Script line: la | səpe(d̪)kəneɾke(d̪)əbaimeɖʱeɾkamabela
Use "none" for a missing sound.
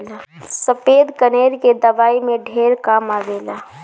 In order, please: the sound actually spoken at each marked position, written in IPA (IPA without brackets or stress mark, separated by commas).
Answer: d̪, d̪